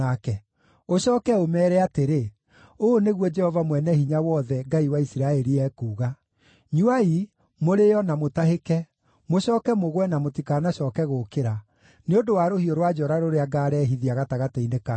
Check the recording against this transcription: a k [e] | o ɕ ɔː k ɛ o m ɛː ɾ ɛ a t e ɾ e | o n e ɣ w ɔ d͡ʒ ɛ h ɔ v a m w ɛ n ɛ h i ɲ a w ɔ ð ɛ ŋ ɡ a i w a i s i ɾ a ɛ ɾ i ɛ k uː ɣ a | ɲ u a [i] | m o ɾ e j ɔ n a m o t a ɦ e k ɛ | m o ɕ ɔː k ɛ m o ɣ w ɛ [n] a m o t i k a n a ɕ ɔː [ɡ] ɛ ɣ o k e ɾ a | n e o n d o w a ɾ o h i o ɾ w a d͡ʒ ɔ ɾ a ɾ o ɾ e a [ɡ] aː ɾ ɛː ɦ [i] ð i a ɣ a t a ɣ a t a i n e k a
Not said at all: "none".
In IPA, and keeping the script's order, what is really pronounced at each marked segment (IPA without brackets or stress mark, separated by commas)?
ɛ, i, n, k, ɡ, i